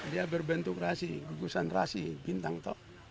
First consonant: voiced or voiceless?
voiced